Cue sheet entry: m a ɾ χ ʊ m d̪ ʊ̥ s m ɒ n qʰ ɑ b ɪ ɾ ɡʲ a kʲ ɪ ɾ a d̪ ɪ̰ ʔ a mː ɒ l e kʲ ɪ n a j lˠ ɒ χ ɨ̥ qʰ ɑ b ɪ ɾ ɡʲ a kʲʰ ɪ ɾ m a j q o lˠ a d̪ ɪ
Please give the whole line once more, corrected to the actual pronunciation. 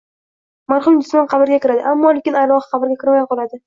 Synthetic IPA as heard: m a ɾ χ ʊ m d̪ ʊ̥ s m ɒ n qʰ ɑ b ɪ ɾ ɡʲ a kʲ ɪ ɾ a d̪ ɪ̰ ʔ a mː ɒ l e kʲ ɪ n a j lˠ ɒ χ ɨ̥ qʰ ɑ b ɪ ɾ ɡʲ a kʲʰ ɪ ɾ m a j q ɒ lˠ a d̪ ɪ